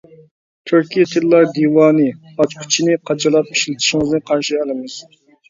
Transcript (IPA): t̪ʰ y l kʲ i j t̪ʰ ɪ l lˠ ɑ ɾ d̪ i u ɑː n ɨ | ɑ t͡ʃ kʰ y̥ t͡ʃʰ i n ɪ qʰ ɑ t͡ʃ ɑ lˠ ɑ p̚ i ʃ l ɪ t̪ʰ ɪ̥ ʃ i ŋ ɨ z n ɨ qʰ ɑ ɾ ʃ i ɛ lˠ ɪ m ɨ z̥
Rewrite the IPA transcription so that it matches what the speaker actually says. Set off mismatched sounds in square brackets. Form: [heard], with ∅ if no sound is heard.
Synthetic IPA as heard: t̪ʰ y [ɾ] kʲ i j t̪ʰ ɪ l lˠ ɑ ɾ d̪ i [w] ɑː n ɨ | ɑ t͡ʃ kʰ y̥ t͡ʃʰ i n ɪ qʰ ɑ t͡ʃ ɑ lˠ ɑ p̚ i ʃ l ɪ t̪ʰ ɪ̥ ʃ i ŋ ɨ z n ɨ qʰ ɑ ɾ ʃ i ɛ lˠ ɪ m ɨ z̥